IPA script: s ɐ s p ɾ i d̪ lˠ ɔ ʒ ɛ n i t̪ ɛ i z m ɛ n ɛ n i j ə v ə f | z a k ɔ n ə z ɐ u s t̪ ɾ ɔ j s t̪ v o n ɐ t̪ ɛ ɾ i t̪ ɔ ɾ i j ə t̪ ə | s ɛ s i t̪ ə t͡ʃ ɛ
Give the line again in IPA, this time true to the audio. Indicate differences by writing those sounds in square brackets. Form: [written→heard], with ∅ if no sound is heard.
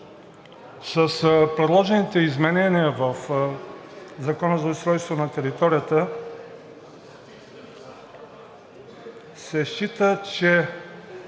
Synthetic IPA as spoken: s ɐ s p ɾ [i→ɛ] d̪ lˠ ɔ ʒ ɛ n i t̪ ɛ i z m ɛ n ɛ n i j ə v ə f | z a k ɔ n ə z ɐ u s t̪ ɾ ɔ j s t̪ v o n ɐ t̪ ɛ ɾ i t̪ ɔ ɾ i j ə t̪ ə | s ɛ [s→ʃ] i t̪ ə t͡ʃ ɛ